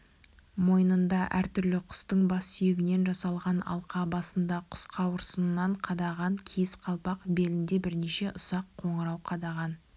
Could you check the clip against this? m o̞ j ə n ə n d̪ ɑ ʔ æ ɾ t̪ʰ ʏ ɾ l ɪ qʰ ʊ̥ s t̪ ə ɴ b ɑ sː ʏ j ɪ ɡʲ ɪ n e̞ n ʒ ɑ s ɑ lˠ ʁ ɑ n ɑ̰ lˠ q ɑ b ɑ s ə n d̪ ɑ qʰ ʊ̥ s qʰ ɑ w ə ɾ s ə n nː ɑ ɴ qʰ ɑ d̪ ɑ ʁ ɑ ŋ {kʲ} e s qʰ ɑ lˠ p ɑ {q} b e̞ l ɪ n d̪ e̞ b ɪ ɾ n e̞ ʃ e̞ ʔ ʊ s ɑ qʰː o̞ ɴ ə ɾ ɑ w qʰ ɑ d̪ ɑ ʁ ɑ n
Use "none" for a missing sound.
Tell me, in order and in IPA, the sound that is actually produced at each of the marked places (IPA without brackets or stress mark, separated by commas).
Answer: kʲʰ, q